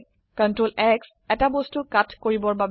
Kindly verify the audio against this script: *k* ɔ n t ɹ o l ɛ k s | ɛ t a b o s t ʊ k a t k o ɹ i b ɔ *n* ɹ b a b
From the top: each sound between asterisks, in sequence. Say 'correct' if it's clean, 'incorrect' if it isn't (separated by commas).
correct, incorrect